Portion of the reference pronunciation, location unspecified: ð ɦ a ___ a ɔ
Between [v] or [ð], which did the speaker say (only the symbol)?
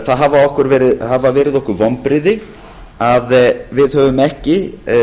v